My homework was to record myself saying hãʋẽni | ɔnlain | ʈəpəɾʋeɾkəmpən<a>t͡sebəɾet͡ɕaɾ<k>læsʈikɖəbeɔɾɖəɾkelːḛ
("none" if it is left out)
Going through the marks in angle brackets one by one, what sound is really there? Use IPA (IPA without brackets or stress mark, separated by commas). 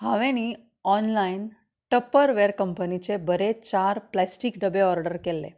i, p